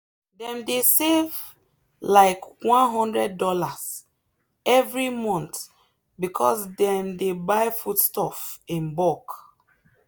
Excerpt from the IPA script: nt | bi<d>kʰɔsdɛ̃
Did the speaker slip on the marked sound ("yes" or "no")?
yes